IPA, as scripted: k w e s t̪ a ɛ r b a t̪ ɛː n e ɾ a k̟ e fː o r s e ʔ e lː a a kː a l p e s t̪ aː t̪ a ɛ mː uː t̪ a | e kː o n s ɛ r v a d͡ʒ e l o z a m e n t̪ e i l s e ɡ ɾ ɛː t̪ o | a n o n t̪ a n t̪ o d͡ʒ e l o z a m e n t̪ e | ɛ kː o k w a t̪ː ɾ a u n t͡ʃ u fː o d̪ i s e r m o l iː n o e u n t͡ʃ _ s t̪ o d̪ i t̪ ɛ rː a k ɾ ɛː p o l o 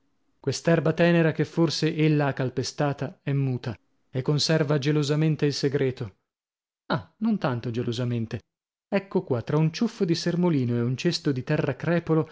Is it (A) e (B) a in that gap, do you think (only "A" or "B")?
A